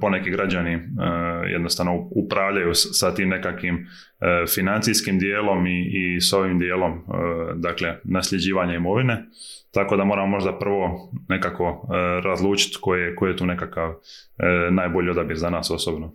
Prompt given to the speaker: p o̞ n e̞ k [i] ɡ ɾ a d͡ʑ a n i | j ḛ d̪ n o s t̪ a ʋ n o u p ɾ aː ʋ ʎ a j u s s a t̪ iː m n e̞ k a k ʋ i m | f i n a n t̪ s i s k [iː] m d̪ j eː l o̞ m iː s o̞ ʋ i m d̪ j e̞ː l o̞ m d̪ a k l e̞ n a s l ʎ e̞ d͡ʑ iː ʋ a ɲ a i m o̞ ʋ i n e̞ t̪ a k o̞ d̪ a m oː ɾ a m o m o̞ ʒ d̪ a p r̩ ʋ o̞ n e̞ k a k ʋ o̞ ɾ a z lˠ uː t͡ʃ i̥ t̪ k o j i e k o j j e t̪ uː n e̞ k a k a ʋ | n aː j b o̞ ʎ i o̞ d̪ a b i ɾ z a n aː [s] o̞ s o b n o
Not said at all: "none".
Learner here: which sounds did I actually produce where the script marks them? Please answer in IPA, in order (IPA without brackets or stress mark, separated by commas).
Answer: i, i, s